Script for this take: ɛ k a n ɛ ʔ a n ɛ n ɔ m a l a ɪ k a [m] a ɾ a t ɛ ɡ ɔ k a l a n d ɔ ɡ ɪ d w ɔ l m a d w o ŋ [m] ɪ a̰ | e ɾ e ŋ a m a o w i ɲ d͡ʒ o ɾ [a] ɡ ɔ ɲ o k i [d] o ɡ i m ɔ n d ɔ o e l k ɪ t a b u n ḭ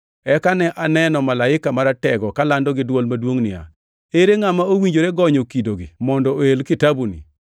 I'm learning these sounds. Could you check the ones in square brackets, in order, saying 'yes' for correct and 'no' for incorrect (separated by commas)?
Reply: yes, no, no, yes